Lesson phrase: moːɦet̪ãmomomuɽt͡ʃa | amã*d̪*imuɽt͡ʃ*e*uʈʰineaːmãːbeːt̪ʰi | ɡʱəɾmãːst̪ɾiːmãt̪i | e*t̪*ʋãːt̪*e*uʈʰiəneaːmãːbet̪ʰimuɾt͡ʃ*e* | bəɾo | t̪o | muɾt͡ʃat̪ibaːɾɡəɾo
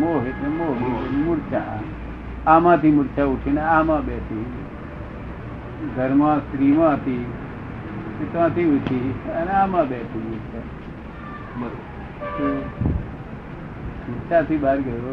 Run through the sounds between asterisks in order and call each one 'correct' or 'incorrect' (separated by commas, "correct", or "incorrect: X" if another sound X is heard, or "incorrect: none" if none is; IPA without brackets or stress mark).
incorrect: t̪, incorrect: a, correct, incorrect: i, incorrect: a